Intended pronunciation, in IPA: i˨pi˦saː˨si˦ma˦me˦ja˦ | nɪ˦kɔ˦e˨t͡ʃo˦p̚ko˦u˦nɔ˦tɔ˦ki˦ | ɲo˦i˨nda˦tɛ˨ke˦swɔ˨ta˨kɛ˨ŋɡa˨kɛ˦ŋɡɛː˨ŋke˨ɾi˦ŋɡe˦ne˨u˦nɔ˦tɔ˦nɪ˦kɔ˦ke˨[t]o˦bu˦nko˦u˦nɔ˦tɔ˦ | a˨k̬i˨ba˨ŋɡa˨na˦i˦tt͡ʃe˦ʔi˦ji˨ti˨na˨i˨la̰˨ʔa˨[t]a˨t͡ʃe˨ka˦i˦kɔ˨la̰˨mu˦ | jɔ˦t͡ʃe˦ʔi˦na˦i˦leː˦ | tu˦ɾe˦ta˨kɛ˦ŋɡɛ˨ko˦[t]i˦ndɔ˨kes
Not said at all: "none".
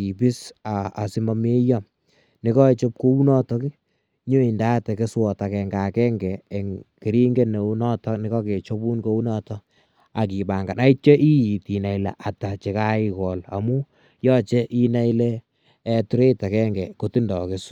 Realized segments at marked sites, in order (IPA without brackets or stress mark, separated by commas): t͡ʃ, t, t